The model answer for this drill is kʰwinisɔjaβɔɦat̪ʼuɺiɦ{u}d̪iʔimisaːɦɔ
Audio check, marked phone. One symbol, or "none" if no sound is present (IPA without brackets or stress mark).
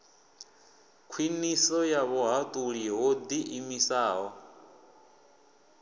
o